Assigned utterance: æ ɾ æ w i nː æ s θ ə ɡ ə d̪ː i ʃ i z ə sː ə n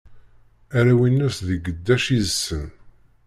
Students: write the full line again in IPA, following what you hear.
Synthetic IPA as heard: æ ɾ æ w i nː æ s ð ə ɡ ə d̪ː æ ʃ i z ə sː ə n